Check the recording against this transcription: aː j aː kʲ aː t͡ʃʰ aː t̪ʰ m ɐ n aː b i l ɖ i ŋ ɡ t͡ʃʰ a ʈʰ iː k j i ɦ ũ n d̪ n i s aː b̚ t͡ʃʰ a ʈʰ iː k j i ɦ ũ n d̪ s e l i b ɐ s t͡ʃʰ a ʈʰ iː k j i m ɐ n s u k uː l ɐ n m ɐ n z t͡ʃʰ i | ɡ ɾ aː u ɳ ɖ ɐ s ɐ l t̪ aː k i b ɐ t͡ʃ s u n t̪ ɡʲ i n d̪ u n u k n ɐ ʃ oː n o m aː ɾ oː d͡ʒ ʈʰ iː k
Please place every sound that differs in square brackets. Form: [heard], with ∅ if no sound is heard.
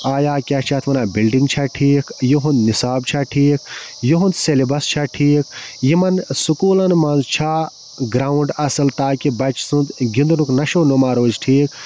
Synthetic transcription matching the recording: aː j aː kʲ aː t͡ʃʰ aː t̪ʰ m ɐ n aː b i l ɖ i ŋ ɡ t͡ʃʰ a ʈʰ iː k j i ɦ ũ n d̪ n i s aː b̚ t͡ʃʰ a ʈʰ iː k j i ɦ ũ n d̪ s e l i b ɐ s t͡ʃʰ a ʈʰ iː k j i m ɐ n s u k uː l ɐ n m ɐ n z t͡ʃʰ [a] | ɡ ɾ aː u ɳ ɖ ɐ s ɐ l t̪ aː k i b ɐ t͡ʃ s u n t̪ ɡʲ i n d̪ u n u k n ɐ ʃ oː n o m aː ɾ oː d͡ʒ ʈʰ iː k